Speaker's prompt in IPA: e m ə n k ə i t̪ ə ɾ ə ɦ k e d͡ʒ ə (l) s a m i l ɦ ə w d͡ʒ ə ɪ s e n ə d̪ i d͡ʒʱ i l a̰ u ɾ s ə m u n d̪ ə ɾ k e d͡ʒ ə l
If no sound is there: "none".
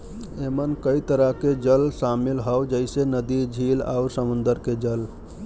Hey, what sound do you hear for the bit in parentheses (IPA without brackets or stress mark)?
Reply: l